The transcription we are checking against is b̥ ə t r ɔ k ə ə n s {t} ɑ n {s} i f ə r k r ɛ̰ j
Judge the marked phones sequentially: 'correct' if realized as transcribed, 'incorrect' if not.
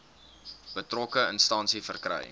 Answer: correct, correct

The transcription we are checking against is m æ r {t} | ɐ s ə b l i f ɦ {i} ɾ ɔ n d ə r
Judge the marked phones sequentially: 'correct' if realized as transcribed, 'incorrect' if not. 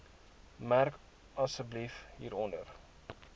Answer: incorrect, incorrect

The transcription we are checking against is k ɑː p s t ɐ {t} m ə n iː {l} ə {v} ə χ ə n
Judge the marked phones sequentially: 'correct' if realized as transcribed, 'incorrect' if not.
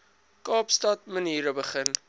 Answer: correct, incorrect, incorrect

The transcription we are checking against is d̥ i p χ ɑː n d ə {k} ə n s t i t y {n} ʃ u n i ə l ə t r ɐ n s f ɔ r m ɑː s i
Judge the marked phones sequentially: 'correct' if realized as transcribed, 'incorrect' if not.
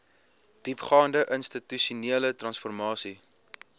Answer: incorrect, incorrect

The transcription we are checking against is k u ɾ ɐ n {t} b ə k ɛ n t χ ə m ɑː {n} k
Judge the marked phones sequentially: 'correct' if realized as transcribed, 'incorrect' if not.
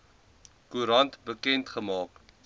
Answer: correct, incorrect

